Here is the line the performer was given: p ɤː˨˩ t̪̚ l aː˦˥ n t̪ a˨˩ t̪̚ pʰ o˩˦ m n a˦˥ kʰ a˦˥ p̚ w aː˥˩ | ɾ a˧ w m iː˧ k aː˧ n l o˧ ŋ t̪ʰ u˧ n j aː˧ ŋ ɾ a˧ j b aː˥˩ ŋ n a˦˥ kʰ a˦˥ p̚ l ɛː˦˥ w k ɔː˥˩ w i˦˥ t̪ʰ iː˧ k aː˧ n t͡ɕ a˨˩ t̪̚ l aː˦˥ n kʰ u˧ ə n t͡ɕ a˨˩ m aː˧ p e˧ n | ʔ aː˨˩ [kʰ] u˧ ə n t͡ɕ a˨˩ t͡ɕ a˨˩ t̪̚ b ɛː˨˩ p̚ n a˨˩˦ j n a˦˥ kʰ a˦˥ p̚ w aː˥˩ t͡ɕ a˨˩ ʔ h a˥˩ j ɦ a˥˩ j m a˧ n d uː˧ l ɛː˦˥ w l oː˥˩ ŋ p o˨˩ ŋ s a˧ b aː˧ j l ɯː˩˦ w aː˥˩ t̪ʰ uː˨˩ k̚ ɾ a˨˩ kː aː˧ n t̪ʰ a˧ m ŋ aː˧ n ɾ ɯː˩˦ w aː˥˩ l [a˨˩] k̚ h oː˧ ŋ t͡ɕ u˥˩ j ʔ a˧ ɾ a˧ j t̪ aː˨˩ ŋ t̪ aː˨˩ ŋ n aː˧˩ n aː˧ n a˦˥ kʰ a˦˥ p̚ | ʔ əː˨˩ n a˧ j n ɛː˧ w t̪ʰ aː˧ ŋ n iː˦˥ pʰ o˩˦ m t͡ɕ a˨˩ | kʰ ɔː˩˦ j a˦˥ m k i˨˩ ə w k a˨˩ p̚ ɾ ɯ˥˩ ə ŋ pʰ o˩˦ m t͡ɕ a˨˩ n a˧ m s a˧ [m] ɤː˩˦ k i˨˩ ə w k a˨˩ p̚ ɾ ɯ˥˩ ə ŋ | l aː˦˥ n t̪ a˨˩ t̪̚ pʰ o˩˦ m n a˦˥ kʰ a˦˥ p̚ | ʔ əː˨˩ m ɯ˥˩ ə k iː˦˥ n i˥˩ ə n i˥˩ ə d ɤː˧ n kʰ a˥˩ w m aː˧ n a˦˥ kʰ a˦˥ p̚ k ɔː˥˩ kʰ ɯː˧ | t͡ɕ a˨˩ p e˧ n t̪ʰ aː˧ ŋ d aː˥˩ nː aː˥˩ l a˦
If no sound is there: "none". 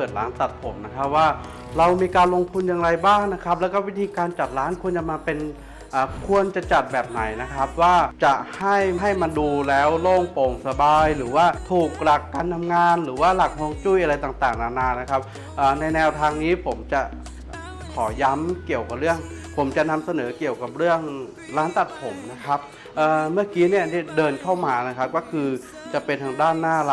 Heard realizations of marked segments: kʰ, a˨˩, n

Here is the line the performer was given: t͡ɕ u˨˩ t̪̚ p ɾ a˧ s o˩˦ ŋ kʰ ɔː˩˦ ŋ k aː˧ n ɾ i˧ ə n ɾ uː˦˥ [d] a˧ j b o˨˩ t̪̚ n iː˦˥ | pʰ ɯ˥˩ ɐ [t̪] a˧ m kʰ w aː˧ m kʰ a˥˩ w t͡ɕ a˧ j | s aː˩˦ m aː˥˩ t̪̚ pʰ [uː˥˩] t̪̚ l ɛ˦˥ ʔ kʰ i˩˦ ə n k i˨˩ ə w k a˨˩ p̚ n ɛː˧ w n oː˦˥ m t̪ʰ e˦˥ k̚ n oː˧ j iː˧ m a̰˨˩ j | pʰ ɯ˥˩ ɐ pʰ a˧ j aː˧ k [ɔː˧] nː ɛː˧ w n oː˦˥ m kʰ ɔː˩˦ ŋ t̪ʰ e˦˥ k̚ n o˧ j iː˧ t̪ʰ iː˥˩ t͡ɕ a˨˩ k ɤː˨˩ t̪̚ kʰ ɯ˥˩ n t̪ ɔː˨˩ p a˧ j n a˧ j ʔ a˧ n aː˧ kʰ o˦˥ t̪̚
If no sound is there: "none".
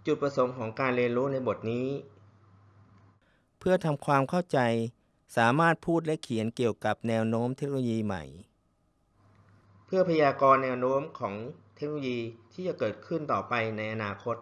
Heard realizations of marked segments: n, t̪ʰ, uː˥˩, ɔː˧

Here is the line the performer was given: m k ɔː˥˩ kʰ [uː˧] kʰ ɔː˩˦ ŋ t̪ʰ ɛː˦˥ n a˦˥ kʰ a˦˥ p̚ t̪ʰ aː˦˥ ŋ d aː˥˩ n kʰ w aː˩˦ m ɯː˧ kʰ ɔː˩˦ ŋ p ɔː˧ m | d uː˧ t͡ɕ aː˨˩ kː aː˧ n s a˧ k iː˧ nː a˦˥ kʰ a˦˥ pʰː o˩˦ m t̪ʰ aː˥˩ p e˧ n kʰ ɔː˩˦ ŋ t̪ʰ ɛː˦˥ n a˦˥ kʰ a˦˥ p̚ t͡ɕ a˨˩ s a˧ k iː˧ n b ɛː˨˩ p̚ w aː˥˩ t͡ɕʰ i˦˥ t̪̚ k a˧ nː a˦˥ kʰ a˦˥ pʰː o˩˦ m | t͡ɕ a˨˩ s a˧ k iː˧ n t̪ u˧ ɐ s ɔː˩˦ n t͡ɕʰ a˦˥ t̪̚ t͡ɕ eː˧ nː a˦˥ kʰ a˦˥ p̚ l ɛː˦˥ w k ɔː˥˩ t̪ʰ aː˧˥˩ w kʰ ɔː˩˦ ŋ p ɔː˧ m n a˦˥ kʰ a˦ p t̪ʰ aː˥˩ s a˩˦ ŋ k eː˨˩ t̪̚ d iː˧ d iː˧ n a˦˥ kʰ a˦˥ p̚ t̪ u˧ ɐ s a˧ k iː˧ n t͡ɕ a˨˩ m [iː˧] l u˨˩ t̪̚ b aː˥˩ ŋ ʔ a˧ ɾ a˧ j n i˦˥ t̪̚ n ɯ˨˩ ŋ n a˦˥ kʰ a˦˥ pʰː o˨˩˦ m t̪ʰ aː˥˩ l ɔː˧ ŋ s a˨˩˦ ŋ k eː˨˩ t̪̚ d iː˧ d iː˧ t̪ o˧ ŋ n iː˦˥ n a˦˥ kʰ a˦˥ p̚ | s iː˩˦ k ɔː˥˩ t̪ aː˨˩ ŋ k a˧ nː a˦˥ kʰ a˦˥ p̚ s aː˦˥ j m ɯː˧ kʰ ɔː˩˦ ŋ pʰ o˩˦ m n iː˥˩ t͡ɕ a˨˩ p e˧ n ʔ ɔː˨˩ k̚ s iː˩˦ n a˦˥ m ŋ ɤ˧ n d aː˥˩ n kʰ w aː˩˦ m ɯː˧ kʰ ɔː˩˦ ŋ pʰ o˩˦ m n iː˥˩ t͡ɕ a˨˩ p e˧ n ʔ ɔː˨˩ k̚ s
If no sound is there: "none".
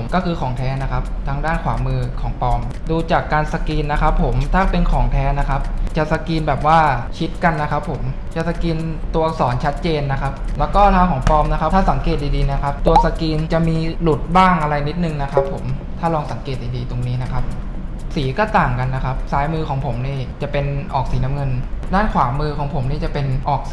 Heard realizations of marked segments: ɯː˧, iː˧

